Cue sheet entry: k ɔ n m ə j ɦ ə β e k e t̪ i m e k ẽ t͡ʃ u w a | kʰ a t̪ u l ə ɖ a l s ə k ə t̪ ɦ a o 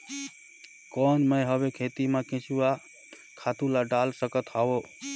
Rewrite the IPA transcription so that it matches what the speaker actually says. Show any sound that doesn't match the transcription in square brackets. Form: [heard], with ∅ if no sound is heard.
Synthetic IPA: k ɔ n m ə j ɦ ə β e [kʰ] e t̪ i m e k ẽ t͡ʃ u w a | kʰ a t̪ u l [a] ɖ a l s ə k ə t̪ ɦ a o